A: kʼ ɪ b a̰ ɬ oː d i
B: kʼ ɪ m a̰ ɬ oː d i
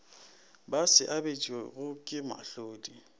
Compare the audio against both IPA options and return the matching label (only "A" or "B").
B